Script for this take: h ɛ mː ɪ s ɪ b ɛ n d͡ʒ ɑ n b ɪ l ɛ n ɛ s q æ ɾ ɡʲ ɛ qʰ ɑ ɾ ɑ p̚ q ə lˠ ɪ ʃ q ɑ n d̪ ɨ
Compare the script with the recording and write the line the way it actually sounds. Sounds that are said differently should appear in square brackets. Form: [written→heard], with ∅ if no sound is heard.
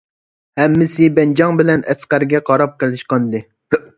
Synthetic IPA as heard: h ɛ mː ɪ s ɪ b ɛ n d͡ʒ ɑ [n→ŋ] b ɪ l ɛ n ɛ s q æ ɾ ɡʲ ɛ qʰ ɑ ɾ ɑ p̚ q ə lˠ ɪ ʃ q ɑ n d̪ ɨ